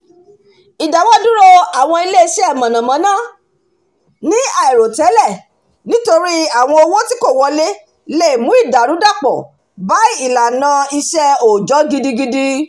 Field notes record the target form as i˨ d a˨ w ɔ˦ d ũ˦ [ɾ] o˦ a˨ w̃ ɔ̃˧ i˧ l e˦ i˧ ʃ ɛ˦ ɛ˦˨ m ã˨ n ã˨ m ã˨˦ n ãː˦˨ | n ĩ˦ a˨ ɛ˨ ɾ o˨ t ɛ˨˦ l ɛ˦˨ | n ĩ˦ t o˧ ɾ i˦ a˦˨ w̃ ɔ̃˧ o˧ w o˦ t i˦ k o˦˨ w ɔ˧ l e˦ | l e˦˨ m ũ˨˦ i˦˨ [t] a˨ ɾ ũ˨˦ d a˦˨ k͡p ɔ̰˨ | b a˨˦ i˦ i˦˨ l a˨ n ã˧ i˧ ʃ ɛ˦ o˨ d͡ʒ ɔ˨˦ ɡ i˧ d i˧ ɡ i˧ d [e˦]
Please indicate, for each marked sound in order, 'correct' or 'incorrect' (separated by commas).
correct, incorrect, incorrect